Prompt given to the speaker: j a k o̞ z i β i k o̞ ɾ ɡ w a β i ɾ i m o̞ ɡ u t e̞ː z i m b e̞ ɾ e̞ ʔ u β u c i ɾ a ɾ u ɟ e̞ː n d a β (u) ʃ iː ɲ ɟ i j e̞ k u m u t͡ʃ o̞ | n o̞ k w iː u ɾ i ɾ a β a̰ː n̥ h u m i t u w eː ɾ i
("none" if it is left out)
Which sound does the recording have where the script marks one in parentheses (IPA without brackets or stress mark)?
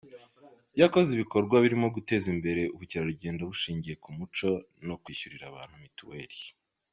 u